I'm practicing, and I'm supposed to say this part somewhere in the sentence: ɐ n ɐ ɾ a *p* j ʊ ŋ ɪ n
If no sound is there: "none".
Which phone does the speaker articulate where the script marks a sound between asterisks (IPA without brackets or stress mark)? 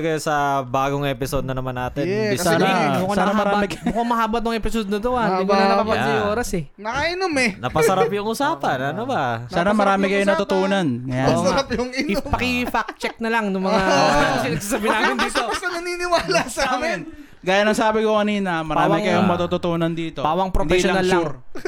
p